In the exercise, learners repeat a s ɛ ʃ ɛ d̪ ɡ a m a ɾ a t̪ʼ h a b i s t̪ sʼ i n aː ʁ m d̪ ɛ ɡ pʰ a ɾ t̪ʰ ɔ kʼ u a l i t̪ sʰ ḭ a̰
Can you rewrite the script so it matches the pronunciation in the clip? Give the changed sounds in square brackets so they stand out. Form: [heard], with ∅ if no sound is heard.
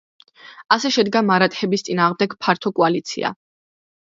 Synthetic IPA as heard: a s ɛ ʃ ɛ d̪ ɡ a m a ɾ a t̪ʼ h [ɛ] b i s t̪ sʼ i n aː ʁ m d̪ ɛ ɡ pʰ a ɾ t̪ʰ ɔ kʼ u a l i t̪ sʰ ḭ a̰